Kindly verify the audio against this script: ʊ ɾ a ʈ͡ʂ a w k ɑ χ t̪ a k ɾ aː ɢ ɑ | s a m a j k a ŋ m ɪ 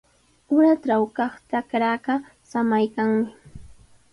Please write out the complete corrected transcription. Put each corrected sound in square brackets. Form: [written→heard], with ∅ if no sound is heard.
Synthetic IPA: ʊ ɾ a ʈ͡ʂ a w k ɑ χ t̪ a k ɾ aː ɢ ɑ | s a m a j k a ŋ m ɪ